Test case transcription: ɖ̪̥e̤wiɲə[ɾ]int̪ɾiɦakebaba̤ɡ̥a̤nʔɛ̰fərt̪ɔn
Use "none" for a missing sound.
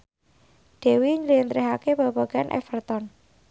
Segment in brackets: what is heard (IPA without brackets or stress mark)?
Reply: l